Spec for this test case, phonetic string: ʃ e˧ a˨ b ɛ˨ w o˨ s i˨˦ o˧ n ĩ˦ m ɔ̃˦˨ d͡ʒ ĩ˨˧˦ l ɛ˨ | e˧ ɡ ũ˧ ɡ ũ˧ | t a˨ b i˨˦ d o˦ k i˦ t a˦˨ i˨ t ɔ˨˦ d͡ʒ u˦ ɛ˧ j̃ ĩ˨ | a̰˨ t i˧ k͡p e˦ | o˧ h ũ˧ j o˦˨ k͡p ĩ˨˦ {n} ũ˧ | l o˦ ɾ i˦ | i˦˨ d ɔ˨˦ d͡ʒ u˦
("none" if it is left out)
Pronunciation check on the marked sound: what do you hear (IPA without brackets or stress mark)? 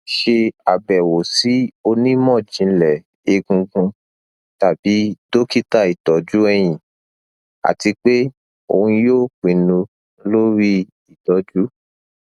n